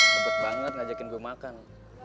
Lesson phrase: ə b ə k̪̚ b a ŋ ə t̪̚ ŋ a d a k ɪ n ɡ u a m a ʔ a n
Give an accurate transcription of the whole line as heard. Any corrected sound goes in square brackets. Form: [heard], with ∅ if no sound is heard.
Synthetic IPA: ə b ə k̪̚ b a ŋ ə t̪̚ ŋ a [d͡ʒ] a k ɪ n ɡ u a m a [k] a n